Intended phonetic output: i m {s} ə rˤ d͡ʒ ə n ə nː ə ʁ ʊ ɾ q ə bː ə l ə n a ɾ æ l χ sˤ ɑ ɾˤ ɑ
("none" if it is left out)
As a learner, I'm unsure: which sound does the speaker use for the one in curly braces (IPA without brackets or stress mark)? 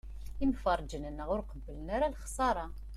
f